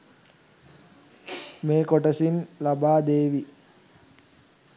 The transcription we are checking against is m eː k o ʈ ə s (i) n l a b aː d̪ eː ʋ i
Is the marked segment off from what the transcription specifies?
no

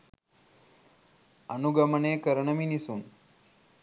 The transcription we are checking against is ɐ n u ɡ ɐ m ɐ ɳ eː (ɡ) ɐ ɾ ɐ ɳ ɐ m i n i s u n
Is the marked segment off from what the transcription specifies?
yes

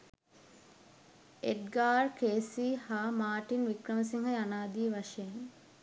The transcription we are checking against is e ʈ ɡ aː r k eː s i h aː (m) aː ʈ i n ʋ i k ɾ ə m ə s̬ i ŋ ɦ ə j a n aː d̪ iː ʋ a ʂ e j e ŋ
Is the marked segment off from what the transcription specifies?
no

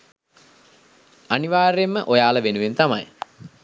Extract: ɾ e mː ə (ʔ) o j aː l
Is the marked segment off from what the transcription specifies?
no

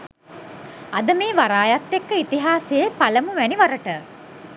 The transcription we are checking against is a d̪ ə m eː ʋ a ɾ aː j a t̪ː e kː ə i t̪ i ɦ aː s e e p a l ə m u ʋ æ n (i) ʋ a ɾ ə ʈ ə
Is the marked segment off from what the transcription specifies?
no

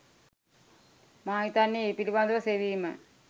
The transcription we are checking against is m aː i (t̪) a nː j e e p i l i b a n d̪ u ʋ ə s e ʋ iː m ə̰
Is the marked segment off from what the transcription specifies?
no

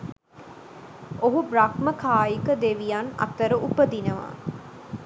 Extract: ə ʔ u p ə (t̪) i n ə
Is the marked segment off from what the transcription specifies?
yes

